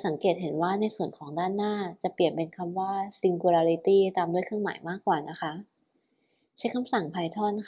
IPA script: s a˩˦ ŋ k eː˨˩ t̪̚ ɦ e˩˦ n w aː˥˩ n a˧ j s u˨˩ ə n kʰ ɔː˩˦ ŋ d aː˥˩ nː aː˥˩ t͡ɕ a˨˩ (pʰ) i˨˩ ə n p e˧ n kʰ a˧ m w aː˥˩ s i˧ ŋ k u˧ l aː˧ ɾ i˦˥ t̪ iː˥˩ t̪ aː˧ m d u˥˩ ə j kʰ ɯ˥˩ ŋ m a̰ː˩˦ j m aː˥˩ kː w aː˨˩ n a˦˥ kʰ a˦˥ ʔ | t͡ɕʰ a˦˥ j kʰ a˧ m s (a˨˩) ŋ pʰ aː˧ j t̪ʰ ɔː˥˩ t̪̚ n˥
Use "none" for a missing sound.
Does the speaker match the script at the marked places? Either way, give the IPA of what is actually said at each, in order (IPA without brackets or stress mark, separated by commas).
p, a˨˩